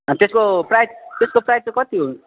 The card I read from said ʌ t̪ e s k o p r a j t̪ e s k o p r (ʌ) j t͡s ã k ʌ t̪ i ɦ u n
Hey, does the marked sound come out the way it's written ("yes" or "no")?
no